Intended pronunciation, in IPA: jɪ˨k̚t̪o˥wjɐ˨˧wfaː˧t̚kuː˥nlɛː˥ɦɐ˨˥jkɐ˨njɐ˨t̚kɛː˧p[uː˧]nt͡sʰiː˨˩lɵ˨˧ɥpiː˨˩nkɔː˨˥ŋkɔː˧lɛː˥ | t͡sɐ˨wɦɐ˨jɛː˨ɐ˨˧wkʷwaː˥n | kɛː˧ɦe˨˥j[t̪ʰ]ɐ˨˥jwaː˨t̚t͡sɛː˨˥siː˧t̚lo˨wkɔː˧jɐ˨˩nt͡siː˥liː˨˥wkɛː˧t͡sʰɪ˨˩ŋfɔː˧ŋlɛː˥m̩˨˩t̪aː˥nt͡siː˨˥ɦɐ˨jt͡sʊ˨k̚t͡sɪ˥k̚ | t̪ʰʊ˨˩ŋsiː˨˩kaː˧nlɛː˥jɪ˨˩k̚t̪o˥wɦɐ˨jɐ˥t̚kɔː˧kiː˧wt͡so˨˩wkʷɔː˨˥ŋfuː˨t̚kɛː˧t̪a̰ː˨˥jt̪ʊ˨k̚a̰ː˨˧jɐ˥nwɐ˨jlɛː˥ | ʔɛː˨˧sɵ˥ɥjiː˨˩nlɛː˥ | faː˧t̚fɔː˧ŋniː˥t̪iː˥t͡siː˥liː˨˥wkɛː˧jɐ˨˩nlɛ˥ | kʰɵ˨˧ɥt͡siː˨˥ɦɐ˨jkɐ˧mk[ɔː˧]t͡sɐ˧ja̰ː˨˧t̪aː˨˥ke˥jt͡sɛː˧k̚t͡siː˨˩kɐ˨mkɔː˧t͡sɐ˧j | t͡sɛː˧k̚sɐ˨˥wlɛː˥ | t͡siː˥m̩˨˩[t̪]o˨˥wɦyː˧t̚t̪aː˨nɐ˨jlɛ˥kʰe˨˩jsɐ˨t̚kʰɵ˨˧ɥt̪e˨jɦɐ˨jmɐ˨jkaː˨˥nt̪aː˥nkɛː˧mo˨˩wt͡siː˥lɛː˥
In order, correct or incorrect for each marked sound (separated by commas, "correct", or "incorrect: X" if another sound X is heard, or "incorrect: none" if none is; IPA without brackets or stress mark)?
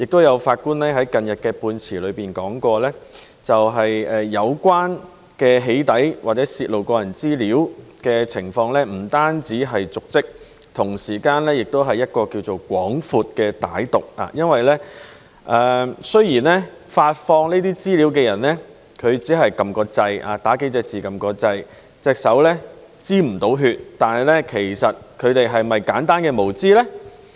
correct, incorrect: t̪, correct, correct